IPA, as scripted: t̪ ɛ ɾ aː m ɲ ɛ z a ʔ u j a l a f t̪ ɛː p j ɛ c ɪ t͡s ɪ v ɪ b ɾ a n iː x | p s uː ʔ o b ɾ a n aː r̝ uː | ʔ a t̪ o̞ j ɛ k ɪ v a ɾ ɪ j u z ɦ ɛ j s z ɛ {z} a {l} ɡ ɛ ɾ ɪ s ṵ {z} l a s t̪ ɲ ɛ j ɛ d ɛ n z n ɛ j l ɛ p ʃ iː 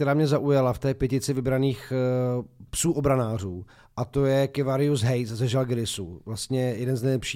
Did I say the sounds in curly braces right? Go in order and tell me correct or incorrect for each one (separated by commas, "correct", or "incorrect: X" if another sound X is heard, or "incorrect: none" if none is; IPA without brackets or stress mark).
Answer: incorrect: ʒ, correct, incorrect: v